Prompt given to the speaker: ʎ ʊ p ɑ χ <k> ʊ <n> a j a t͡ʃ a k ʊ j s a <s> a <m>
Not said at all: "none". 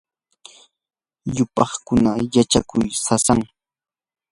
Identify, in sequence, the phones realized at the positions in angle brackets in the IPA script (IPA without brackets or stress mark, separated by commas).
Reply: k, n, s, ŋ